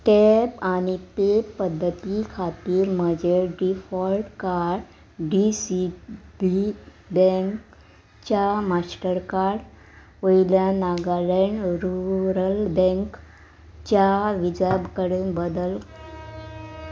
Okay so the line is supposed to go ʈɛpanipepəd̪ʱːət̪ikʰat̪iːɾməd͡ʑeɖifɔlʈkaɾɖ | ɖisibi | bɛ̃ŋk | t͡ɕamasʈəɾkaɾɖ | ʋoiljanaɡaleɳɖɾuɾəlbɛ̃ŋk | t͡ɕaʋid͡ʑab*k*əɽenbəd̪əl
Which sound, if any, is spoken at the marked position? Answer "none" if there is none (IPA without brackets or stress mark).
k